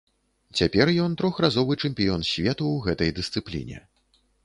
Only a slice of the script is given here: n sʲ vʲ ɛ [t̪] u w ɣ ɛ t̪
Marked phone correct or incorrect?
correct